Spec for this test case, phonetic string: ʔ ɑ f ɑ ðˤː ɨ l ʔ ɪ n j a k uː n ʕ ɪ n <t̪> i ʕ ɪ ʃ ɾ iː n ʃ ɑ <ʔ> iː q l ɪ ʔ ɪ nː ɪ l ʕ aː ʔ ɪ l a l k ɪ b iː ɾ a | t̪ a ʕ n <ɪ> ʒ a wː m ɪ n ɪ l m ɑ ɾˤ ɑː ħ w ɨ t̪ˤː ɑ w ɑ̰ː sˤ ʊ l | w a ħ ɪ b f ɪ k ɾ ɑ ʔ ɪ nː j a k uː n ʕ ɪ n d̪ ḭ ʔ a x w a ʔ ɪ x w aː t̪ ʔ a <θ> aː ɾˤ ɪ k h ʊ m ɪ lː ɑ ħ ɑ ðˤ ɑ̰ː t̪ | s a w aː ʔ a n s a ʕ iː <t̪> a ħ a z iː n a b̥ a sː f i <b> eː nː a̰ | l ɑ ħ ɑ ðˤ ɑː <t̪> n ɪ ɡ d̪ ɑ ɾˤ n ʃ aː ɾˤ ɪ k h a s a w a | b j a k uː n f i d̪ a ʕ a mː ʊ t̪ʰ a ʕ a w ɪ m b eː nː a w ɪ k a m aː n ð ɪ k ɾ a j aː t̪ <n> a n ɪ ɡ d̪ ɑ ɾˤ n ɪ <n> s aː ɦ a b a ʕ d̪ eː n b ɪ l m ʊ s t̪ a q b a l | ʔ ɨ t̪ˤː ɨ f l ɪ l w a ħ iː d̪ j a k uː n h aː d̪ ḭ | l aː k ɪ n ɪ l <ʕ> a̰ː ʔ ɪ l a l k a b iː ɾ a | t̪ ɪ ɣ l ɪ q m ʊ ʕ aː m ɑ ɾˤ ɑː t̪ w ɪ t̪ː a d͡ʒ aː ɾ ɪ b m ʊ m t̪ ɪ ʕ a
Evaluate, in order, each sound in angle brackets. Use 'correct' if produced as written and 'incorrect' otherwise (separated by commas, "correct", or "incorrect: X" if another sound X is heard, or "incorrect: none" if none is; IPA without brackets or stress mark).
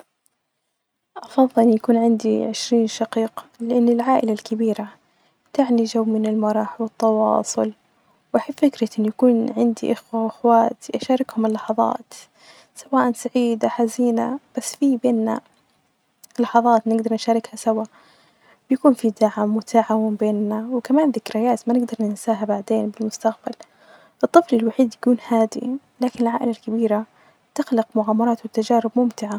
incorrect: d̪, incorrect: q, incorrect: i, incorrect: ʃ, incorrect: d̪, correct, correct, incorrect: m, correct, correct